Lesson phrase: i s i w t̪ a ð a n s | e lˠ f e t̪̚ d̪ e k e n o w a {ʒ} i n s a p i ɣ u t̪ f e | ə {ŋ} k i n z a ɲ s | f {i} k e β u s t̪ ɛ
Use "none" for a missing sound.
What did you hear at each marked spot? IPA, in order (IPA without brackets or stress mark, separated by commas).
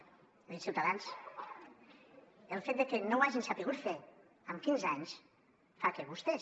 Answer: ʒ, m, a